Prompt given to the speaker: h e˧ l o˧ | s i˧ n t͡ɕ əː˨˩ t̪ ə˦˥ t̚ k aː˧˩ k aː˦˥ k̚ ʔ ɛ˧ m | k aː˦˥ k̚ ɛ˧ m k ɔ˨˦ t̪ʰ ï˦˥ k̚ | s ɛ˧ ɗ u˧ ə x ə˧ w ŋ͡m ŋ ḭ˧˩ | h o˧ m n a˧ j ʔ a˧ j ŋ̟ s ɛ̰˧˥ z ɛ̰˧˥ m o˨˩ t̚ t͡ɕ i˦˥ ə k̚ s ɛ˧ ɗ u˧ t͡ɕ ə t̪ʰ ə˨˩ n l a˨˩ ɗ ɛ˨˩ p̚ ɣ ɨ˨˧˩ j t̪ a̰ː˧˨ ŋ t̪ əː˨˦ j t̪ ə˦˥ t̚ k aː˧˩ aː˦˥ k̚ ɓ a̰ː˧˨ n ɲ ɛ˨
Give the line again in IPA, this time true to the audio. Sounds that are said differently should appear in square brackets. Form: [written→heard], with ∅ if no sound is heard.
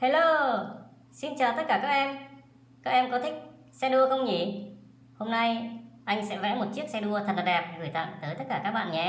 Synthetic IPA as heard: h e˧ l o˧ | s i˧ n t͡ɕ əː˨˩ t̪ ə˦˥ t̚ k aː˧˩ k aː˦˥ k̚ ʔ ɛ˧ m | k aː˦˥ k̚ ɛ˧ m k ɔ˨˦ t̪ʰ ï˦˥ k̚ | s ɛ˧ ɗ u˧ ə x ə˧ w ŋ͡m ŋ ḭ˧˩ | h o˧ m n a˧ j ʔ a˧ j ŋ̟ s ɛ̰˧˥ [z→v] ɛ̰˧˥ m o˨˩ t̚ t͡ɕ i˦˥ ə k̚ s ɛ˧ ɗ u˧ [t͡ɕ→∅] ə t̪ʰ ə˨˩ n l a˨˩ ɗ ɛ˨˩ p̚ ɣ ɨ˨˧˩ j t̪ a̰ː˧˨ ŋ t̪ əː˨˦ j t̪ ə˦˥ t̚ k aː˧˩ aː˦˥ k̚ ɓ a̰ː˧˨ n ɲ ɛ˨